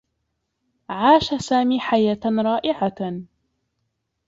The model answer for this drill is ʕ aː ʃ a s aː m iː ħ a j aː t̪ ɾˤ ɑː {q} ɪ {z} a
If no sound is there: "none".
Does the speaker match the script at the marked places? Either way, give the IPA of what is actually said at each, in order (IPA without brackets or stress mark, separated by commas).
ʔ, ʕ